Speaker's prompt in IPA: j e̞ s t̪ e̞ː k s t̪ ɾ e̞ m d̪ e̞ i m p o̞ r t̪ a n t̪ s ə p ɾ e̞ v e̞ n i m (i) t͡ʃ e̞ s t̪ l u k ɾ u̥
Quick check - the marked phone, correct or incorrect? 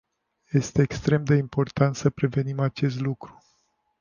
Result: incorrect